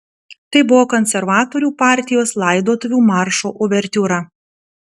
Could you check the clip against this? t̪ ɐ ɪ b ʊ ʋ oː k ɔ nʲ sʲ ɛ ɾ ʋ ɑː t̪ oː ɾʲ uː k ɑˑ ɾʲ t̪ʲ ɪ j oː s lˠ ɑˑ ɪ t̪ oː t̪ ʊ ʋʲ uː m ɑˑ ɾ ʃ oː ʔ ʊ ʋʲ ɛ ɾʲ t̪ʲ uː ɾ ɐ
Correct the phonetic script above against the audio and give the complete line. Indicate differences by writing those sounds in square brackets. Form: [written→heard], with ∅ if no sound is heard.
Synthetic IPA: t̪ ɐ ɪ b ʊ ʋ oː k ɔ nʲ sʲ ɛ ɾ ʋ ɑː t̪ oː ɾʲ uː [k→p] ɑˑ ɾʲ t̪ʲ ɪ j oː s lˠ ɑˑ ɪ [t̪→d̪] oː t̪ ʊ ʋʲ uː m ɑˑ ɾ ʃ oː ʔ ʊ ʋʲ ɛ ɾʲ t̪ʲ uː ɾ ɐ